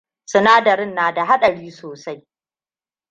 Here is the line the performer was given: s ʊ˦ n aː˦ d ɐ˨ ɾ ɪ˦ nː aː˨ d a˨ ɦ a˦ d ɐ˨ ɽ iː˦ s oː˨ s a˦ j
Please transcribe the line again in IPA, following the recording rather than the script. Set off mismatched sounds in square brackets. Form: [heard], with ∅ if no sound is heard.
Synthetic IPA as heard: s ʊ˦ n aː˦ d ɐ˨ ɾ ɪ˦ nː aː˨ d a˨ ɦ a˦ [ɗ] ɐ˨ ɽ iː˦ s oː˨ s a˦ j